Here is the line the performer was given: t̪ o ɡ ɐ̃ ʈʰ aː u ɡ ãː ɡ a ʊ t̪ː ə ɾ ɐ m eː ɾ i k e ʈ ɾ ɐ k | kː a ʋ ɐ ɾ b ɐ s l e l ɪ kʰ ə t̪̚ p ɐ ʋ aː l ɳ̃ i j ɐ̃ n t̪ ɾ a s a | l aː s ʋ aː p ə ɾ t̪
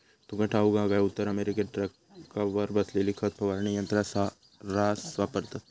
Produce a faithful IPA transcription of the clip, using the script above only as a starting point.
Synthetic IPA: t̪ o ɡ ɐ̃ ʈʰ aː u ɡ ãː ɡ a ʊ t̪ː ə ɾ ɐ m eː ɾ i k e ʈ ɾ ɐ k | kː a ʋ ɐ ɾ b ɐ s l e l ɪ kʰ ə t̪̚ p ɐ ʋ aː ɾ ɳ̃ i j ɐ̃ n t̪ ɾ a s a | ɾ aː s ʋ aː p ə ɾ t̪